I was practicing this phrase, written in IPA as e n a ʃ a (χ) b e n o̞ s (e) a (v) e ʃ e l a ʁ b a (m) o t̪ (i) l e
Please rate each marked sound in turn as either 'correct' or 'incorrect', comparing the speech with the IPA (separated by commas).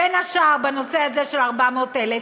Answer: incorrect, correct, incorrect, correct, incorrect